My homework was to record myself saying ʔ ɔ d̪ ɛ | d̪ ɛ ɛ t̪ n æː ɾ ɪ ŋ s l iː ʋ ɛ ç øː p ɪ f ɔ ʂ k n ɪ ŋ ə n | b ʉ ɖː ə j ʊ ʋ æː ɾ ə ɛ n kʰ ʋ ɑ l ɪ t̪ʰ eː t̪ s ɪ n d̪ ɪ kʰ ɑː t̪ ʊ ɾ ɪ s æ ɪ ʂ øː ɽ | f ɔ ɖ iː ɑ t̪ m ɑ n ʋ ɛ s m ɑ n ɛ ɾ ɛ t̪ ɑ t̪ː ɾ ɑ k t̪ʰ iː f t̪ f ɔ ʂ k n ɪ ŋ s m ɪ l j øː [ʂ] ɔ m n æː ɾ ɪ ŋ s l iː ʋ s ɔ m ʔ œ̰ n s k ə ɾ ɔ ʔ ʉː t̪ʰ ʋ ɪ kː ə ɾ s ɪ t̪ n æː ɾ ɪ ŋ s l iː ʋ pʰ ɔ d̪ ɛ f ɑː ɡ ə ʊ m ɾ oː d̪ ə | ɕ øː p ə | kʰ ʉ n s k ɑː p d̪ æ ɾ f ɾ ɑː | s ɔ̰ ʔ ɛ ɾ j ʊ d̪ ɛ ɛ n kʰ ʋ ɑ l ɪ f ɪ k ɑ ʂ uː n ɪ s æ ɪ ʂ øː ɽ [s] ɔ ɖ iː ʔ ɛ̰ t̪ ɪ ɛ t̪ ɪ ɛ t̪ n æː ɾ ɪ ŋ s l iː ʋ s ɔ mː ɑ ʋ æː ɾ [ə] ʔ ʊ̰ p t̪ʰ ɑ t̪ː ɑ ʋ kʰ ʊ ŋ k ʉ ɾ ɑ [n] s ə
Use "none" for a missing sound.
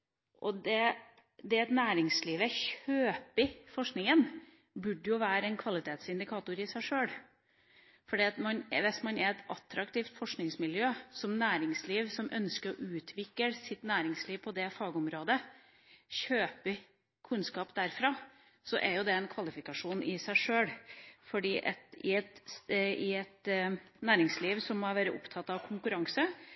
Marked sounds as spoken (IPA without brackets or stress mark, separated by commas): s, f, ə, ŋ